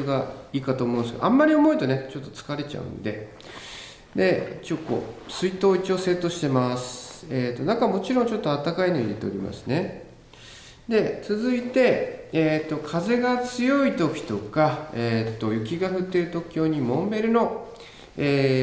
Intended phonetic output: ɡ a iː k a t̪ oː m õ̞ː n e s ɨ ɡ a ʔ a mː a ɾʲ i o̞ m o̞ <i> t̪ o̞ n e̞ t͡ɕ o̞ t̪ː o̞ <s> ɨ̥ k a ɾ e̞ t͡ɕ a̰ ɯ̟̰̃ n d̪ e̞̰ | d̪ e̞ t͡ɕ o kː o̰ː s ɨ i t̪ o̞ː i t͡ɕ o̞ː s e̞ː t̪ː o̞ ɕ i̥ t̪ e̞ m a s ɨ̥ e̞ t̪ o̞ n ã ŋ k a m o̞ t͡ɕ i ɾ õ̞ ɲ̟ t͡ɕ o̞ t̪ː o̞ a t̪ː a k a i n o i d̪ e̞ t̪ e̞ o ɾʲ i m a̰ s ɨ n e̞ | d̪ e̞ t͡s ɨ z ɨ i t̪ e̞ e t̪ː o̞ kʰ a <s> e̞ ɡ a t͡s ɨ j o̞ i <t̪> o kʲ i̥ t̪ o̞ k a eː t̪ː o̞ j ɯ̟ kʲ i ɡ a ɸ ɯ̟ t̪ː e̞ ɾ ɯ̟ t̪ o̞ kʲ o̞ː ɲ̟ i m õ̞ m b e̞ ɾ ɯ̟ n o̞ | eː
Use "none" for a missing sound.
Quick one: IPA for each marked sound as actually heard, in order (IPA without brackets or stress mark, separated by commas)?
i, t͡s, z, t̪